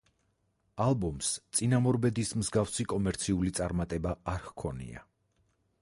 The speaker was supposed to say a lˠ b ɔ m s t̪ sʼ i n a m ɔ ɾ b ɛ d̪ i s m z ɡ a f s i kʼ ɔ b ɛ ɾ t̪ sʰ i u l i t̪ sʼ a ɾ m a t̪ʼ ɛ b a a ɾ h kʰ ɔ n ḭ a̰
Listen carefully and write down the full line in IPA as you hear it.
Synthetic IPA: a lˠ b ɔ m s t̪ sʼ i n a m ɔ ɾ b ɛ d̪ i s m z ɡ a f s i kʼ ɔ m ɛ ɾ t̪ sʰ i u l i t̪ sʼ a ɾ m a t̪ʼ ɛ b a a ɾ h kʰ ɔ n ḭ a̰